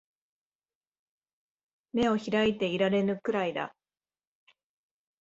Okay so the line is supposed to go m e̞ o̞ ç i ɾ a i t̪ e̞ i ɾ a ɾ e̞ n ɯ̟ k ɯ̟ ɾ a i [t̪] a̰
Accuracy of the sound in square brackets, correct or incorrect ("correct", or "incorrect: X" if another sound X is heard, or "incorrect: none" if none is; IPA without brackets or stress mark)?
incorrect: d̪